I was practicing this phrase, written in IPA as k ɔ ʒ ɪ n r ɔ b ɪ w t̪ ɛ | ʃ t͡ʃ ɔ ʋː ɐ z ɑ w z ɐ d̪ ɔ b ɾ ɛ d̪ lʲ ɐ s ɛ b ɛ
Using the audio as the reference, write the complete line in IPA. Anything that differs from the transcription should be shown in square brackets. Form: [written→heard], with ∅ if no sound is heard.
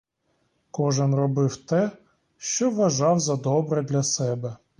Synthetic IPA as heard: k ɔ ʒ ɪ n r ɔ b ɪ w t̪ ɛ | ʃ t͡ʃ ɔ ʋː ɐ [z→ʒ] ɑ w z ɐ d̪ ɔ b ɾ ɛ d̪ lʲ ɐ s ɛ b ɛ